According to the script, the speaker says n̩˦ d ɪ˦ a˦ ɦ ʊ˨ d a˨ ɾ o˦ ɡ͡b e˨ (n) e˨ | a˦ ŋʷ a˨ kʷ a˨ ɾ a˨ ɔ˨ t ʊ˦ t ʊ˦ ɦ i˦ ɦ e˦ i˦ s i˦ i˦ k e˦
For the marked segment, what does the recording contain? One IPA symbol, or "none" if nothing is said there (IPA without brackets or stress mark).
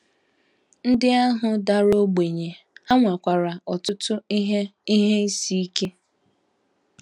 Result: ɲ